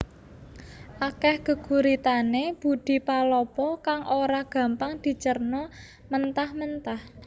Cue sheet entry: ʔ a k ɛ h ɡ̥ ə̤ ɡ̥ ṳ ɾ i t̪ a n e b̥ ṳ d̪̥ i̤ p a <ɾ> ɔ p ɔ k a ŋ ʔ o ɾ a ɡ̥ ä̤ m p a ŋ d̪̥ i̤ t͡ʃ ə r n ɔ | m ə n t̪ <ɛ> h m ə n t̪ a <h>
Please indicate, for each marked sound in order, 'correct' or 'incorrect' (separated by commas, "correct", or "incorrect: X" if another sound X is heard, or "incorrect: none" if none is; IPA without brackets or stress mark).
incorrect: l, incorrect: a, correct